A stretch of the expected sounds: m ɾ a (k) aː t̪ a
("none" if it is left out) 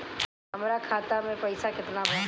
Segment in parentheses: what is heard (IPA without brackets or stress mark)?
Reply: kʰ